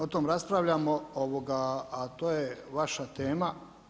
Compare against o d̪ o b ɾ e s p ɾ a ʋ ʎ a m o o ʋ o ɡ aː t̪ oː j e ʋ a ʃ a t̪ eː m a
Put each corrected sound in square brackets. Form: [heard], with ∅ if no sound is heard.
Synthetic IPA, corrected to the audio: o [t̪] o [m] ɾ [a] s p ɾ a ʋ ʎ a m o o ʋ o ɡ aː t̪ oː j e ʋ a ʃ a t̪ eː m a

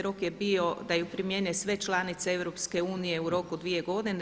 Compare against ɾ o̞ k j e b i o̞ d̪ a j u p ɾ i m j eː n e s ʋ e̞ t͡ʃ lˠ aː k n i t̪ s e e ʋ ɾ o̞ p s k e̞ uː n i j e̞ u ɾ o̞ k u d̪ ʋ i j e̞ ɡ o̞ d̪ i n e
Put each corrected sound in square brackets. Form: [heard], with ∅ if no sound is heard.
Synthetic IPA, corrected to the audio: ɾ o̞ k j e b i o̞ d̪ a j u p ɾ i m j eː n e s ʋ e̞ t͡ʃ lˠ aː [∅] n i t̪ s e e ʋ ɾ o̞ p s k e̞ uː n i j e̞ u ɾ o̞ k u d̪ ʋ i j e̞ ɡ o̞ d̪ i n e

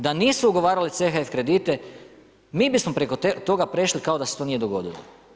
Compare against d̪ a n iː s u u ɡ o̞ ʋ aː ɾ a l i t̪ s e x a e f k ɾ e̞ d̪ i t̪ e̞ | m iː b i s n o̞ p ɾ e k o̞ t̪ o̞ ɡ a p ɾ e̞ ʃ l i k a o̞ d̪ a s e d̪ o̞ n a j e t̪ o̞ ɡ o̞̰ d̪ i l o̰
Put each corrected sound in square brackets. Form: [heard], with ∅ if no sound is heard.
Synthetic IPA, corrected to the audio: d̪ a n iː s u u ɡ o̞ ʋ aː ɾ a l i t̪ s e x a e f k ɾ e̞ d̪ i t̪ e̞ | m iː b i s [m] o̞ p ɾ e k o̞ t̪ o̞ ɡ a p ɾ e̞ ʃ l i k a o̞ d̪ a s e [t̪] o̞ n [i] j e [d̪] o̞ ɡ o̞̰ d̪ i l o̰

